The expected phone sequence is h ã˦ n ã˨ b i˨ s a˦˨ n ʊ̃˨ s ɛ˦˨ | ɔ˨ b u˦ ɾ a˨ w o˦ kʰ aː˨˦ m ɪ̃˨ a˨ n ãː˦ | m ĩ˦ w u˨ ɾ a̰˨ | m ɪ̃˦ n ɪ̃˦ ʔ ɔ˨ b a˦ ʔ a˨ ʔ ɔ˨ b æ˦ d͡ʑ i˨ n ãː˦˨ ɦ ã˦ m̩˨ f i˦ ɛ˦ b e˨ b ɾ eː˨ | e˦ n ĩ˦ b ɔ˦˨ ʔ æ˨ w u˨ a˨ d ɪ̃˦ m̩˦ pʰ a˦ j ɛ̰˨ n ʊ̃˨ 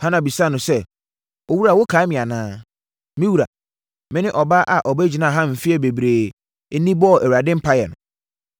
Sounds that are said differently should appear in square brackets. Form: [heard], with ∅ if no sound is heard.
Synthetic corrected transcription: h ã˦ n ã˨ b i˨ s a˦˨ n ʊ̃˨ s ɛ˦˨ | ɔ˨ [w] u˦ ɾ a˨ w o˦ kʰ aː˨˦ m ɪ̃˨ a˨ n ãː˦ | m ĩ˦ w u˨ ɾ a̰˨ | m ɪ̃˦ n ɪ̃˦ ʔ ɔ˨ b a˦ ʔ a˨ ʔ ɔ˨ b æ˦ d͡ʑ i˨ n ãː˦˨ ɦ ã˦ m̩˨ f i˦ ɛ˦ b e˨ b ɾ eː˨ | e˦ n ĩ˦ b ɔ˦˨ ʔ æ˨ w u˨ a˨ d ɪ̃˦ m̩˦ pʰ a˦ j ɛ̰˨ n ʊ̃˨